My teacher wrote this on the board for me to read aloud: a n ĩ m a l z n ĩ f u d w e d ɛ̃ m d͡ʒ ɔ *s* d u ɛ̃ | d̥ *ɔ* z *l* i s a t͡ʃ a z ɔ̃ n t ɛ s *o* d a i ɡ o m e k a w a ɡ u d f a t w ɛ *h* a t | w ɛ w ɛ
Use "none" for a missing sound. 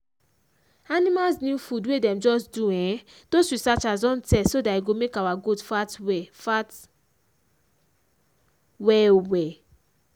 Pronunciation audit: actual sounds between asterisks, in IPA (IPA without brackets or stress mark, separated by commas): s, o, ɹ, o, f